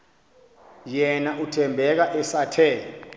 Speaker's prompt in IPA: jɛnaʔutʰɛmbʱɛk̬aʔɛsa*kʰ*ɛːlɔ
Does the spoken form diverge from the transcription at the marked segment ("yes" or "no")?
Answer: yes